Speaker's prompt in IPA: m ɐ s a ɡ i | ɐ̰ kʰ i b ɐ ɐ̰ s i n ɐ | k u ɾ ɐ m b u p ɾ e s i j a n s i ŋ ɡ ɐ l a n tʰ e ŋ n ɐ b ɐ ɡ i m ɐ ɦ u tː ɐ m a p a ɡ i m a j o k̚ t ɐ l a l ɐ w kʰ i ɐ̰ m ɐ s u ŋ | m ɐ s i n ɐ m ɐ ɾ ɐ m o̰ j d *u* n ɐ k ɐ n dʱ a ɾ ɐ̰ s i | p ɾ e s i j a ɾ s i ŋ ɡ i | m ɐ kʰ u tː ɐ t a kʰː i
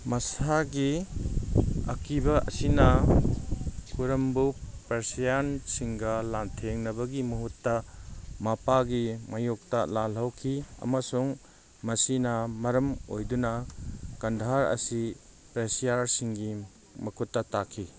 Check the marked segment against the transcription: correct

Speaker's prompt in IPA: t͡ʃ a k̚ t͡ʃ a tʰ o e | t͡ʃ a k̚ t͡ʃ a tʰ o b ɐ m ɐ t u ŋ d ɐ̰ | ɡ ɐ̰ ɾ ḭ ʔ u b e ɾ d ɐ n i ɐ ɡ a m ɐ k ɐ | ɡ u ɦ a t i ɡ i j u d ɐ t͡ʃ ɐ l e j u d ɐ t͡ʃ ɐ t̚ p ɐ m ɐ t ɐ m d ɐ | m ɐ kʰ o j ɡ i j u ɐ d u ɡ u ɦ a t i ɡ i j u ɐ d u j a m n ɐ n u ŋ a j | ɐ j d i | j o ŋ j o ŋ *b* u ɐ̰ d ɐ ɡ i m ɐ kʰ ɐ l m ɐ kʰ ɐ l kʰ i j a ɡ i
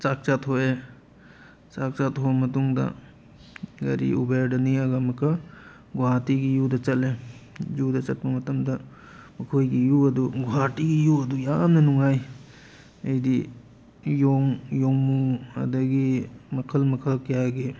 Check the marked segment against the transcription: incorrect: m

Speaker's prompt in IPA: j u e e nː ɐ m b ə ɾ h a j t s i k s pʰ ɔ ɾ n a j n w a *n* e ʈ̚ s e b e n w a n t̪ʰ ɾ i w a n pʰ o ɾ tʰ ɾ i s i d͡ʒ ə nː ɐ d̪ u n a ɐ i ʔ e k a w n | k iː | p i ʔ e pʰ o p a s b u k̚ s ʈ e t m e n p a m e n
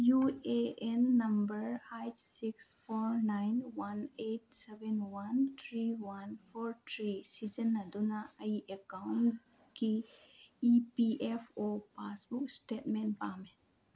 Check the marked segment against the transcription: correct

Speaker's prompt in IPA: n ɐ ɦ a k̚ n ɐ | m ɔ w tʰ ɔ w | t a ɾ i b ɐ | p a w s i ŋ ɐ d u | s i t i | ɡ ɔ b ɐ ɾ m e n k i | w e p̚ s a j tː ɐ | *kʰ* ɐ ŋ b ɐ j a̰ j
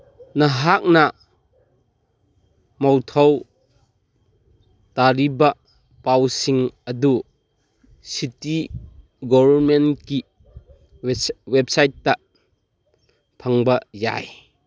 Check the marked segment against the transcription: incorrect: pʰ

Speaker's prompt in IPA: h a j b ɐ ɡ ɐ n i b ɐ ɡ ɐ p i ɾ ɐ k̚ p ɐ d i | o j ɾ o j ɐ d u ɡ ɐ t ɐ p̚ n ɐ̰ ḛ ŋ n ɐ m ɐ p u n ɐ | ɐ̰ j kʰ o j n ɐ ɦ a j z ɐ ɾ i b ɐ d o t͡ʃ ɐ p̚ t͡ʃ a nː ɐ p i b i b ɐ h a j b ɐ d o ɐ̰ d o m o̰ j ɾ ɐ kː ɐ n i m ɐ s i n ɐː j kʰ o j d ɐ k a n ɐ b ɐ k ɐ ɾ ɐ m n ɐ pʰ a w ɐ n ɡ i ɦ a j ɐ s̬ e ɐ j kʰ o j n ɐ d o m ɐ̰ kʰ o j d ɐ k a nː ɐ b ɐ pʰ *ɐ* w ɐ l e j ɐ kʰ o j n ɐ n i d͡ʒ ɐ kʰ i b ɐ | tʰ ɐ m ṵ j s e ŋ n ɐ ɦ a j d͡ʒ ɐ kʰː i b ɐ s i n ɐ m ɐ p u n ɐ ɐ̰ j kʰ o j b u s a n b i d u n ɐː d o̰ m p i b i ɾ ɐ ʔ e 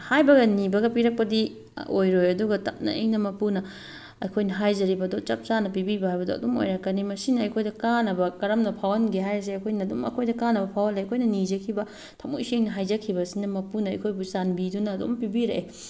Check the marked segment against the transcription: incorrect: a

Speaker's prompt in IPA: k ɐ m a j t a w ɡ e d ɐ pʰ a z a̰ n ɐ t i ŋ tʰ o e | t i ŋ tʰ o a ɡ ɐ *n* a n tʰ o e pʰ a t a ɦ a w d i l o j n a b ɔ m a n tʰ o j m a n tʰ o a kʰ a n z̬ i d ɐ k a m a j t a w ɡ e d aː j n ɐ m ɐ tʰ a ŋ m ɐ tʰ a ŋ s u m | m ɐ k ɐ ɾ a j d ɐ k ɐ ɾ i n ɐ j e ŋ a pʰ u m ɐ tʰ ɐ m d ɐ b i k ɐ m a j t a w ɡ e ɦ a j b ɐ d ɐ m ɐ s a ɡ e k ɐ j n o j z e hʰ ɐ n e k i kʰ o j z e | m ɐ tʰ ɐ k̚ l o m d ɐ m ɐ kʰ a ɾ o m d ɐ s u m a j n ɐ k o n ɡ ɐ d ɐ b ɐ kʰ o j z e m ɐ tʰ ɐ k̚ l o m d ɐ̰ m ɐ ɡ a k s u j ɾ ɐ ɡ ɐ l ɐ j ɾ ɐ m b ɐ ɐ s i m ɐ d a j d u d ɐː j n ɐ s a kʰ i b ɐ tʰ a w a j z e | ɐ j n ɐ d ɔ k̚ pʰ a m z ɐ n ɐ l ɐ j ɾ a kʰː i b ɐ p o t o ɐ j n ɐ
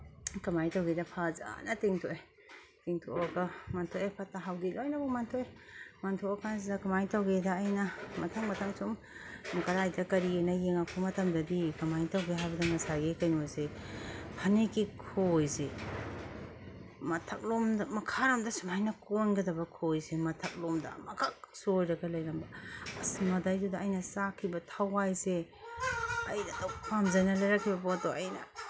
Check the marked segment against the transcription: incorrect: m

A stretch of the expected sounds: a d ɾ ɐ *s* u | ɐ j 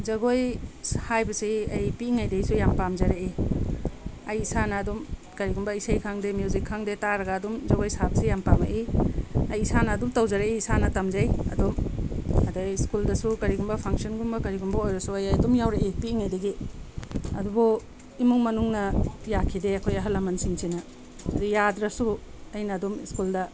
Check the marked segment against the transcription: correct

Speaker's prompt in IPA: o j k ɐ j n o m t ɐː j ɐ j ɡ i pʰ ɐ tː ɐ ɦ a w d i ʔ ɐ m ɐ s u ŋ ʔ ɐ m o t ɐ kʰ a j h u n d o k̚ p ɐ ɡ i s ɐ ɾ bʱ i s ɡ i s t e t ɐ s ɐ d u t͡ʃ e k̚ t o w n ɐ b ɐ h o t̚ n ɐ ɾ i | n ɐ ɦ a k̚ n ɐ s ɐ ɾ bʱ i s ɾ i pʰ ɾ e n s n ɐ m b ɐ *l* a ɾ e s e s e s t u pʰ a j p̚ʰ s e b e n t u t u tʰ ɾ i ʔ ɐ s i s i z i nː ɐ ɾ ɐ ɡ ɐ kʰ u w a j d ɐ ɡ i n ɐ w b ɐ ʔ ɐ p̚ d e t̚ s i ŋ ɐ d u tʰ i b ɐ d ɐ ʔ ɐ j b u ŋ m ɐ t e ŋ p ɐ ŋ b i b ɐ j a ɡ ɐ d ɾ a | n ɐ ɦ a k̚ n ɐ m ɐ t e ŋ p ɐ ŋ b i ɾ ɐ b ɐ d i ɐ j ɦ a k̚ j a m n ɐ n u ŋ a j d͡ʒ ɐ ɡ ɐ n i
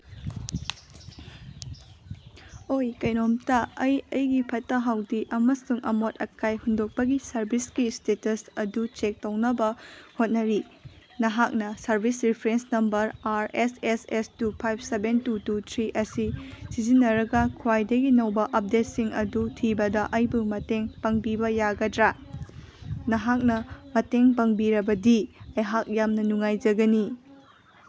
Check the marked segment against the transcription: incorrect: ɾ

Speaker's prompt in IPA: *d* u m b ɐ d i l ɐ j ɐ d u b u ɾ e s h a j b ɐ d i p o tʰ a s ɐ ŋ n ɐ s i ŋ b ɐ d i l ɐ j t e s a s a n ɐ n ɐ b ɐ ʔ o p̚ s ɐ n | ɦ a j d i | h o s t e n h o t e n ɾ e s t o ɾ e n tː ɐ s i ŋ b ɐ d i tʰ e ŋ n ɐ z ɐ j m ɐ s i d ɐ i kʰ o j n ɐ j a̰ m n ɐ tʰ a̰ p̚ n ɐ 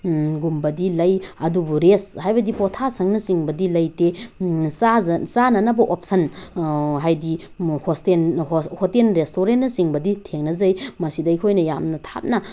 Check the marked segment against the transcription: incorrect: ɡ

